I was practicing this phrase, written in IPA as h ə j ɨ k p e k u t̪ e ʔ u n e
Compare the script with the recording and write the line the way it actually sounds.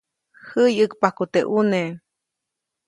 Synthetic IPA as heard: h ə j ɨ k p a k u t̪ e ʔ u n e

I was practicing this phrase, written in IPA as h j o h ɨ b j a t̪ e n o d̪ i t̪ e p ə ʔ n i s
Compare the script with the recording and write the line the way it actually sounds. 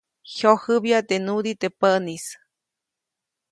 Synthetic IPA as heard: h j o h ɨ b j a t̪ e n u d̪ i t̪ e p ə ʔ n i s

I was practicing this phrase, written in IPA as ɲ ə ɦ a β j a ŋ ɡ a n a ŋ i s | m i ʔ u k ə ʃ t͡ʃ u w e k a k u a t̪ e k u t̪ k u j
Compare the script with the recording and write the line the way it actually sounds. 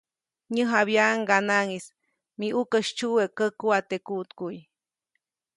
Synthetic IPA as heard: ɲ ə ɦ a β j a ŋ ɡ a n a ŋ i s | m i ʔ u k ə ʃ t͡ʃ u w e k ə k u a t̪ e k u t̪ k u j

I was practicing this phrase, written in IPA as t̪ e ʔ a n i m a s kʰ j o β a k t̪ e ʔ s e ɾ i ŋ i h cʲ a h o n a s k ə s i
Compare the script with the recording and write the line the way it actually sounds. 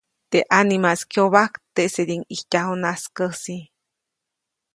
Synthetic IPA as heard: t̪ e ʔ a n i m a s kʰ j o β a k t̪ e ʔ s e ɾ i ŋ i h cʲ a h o n a s k ə s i

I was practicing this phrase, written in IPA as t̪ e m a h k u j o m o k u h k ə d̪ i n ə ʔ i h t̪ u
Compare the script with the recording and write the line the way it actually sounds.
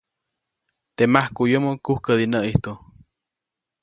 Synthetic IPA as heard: t̪ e m a h k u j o m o k u h k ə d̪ i n ə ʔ i h t̪ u

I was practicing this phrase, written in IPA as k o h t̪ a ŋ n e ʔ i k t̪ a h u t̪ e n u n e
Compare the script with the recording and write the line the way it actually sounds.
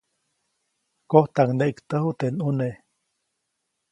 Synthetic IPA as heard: k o h t̪ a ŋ n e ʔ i k t̪ ə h u t̪ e n u n e

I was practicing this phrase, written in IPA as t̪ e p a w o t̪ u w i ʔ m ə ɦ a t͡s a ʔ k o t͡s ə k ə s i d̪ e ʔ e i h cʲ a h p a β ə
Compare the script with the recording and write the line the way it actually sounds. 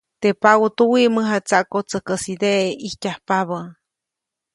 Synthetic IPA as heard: t̪ e p a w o t̪ u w i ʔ m ə ɦ a t͡s a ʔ k o t͡s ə k ə s i d̪ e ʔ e i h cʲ a h p a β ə

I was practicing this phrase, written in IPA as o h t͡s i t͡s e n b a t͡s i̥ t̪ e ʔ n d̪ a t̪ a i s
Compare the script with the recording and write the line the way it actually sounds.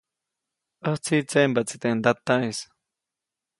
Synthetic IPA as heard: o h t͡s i t͡s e m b a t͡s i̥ t̪ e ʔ n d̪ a t̪ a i s

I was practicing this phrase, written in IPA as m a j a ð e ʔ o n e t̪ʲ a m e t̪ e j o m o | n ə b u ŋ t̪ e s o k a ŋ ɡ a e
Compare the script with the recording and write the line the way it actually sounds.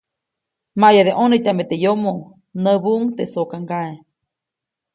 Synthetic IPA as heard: m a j a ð e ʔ o n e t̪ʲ a m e t̪ e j o m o | n ə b u ŋ t̪ e s o k a ŋ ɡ a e

